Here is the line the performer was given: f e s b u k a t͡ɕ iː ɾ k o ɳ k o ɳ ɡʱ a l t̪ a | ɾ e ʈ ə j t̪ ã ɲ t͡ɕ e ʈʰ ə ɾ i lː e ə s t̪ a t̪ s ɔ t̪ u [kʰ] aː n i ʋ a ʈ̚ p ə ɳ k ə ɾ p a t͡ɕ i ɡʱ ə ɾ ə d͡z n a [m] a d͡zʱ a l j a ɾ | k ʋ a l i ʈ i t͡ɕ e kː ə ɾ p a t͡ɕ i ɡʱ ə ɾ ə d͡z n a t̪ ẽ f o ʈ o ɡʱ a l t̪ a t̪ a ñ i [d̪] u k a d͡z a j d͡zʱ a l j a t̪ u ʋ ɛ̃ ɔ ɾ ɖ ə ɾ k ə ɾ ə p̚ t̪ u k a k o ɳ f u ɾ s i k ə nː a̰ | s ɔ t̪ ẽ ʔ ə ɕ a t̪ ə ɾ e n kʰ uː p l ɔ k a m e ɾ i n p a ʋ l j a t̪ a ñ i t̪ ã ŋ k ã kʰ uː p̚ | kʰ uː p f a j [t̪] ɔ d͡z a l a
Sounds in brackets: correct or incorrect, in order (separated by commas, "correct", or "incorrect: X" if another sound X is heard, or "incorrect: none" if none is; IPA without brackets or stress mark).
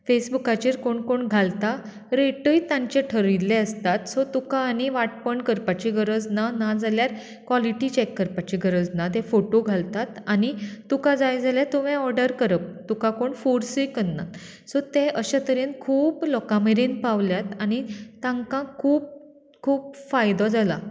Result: incorrect: k, incorrect: n, incorrect: t̪, incorrect: d̪